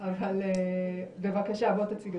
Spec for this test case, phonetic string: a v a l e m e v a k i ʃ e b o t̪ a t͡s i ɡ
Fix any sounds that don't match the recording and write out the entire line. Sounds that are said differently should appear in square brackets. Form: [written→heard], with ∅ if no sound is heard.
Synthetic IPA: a v a l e [m→b] e v a k [i→a] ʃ [e→a] b o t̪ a t͡s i ɡ